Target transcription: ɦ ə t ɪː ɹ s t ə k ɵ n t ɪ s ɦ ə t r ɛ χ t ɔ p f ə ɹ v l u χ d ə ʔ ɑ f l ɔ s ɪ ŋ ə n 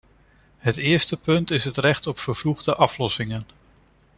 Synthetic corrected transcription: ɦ ə t ɪː ɹ s t ə p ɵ n t ɪ s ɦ ə t r ɛ χ t ɔ p f ə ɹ v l u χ d ə ʔ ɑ f l ɔ s ɪ ŋ ə n

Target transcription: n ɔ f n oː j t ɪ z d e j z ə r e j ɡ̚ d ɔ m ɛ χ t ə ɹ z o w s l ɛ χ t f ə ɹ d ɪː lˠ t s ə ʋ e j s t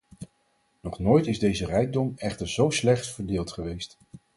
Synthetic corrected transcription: n ɔ χ n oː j t ɪ z d e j z ə r ɛ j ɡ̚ d ɔ m ɛ χ t ə ɹ z o w s l ɛ χ t f ə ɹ d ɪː lˠ t χ ə ʋ e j s t

